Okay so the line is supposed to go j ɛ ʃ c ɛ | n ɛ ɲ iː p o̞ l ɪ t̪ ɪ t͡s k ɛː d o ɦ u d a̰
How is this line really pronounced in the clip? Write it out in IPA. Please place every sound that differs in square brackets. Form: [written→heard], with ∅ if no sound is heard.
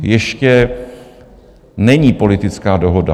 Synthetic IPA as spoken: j ɛ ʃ c ɛ | n ɛ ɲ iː p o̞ l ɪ t̪ ɪ t͡s k [ɛː→aː] d o ɦ [u→o] d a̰